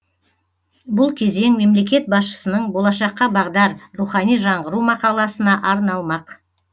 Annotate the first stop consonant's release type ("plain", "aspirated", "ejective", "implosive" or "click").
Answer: plain